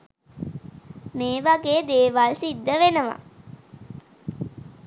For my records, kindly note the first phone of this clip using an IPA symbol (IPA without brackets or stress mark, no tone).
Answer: m